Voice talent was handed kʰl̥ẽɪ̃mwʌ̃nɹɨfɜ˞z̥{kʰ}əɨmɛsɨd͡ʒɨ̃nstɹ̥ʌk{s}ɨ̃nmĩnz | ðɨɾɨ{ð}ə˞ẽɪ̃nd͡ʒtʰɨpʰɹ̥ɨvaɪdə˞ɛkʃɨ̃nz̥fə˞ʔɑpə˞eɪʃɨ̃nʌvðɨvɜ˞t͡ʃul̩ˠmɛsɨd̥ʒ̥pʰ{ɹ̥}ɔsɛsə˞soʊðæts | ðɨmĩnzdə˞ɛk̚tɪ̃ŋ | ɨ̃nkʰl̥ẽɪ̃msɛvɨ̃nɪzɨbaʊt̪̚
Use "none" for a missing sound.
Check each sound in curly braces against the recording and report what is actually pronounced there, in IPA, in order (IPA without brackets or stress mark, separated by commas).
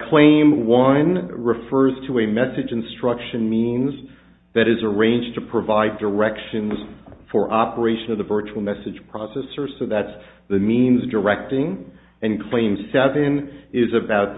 tʰ, ʃ, z, ɹ̥